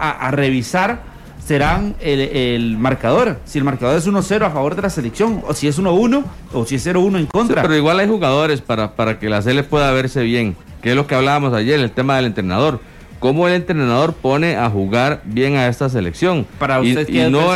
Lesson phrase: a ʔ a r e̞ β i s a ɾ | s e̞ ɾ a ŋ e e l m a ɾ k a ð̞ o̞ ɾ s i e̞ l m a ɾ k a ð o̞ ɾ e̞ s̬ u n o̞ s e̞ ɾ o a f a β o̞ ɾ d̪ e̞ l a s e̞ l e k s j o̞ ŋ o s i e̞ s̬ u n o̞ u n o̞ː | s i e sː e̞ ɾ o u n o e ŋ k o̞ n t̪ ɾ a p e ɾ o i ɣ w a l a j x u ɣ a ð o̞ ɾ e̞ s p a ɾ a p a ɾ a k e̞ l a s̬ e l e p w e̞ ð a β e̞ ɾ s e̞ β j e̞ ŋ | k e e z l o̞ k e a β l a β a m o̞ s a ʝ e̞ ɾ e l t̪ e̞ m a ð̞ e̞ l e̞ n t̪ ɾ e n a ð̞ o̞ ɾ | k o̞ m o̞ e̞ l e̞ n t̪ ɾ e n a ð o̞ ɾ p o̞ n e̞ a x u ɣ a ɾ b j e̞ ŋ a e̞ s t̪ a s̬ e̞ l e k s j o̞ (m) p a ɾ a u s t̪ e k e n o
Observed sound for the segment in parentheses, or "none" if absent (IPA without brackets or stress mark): ŋ